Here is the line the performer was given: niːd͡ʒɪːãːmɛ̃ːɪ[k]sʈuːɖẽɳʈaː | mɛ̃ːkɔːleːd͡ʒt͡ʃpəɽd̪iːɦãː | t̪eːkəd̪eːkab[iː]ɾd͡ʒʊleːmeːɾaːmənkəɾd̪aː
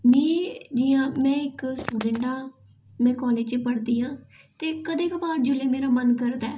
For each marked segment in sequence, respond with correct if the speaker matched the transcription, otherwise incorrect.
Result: correct, incorrect: aː

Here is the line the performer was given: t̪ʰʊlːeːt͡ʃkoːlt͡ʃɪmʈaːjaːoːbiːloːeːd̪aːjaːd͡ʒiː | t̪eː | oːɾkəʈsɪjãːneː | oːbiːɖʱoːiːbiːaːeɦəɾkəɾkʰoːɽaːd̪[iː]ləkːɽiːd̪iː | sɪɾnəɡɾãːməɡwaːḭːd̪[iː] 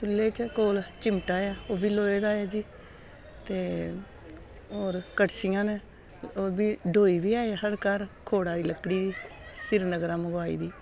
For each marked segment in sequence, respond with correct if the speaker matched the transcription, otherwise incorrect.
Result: correct, correct

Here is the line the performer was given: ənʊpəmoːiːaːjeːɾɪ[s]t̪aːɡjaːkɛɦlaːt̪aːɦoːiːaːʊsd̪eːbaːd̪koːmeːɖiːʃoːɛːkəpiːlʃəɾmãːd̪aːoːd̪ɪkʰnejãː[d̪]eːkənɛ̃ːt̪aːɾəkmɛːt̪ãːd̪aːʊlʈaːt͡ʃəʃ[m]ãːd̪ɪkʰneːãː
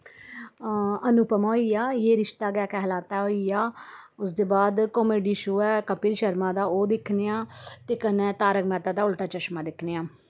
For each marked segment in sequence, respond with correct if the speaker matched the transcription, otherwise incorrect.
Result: incorrect: ʃ, incorrect: t̪, correct

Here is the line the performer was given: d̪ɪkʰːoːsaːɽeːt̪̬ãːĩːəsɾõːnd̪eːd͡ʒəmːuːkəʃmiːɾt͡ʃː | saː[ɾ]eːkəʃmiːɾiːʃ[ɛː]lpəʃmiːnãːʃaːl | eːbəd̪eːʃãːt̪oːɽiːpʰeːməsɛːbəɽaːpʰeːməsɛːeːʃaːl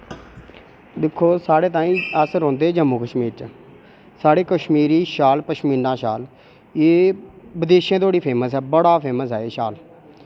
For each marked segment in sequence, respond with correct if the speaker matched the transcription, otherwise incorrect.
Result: incorrect: ɽ, incorrect: aː

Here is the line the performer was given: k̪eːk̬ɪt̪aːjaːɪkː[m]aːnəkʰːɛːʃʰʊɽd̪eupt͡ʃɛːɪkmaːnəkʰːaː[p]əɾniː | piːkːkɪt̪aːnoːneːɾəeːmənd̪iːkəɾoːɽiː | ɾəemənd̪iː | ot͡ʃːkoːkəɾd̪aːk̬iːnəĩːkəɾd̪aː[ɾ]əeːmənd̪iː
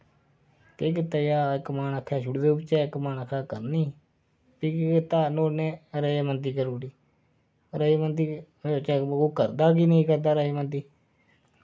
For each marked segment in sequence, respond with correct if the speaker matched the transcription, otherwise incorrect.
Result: correct, incorrect: k, correct

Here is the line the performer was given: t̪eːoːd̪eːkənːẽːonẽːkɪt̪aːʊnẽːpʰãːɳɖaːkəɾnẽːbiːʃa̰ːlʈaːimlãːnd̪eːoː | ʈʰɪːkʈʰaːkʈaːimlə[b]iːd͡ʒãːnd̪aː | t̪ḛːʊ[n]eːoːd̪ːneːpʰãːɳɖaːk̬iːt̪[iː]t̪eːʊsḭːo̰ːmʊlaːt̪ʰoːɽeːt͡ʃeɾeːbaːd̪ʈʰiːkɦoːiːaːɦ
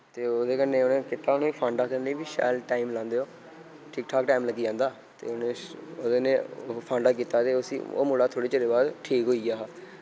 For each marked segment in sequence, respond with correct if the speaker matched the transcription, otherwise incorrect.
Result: incorrect: ɡ, correct, incorrect: aː

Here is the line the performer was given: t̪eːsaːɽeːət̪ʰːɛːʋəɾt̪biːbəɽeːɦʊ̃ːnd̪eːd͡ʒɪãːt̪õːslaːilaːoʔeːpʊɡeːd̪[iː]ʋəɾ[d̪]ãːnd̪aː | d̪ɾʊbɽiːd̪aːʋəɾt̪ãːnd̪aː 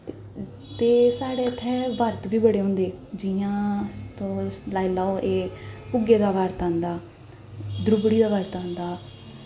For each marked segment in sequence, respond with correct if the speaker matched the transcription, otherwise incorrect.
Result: incorrect: aː, incorrect: t̪

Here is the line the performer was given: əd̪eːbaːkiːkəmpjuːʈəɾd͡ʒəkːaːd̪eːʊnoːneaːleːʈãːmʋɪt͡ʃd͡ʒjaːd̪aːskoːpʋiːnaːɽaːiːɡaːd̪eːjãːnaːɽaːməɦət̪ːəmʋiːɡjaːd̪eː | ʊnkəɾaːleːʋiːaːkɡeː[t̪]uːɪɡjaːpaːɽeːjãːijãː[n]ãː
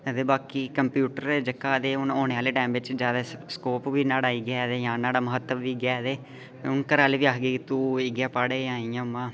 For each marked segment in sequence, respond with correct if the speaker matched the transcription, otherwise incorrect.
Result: correct, incorrect: m

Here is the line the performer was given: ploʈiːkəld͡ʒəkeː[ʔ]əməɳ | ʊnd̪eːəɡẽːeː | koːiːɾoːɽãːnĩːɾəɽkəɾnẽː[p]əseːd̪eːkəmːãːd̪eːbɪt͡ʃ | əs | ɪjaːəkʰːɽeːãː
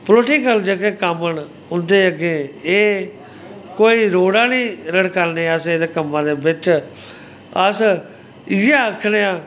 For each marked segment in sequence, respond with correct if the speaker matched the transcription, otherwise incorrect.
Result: incorrect: k, incorrect: none

